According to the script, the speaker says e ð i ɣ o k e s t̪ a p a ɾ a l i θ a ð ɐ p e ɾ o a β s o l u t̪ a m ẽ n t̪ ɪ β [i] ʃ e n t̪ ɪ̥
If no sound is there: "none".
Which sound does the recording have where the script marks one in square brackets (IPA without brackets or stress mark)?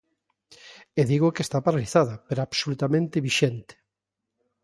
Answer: i